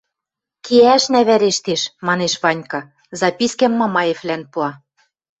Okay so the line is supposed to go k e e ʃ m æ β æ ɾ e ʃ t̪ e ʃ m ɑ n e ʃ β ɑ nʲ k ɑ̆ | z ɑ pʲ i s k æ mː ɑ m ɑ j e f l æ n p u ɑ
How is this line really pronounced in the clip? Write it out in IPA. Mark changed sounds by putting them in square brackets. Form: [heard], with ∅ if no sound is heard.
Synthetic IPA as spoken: k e [æ] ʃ [n] æ β æ ɾ e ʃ t̪ e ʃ m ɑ n e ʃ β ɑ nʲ k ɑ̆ | z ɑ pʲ i s k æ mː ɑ m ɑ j e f l æ n p u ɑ